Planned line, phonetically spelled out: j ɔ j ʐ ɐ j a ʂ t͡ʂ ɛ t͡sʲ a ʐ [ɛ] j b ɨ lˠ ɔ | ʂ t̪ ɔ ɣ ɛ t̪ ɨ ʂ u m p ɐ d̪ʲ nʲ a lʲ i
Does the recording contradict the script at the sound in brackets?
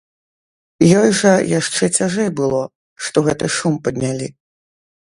no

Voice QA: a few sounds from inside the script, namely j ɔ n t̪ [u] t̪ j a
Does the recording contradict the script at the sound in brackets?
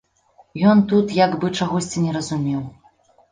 no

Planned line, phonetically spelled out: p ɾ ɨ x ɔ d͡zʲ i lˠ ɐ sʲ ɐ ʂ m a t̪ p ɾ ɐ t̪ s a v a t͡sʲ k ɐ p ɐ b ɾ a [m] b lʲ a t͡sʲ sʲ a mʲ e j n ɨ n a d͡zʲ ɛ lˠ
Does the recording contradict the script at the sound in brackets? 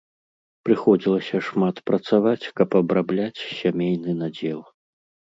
yes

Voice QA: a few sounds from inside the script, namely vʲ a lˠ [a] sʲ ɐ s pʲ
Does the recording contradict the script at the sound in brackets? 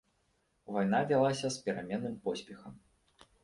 no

